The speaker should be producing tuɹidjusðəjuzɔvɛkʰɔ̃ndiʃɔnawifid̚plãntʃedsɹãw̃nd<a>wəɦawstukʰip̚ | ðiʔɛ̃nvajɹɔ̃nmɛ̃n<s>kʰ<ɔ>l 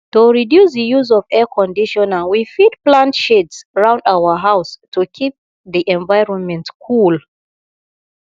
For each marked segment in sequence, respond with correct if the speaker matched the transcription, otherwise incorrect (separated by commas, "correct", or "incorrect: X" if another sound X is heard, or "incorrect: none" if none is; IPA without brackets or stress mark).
correct, incorrect: t, incorrect: u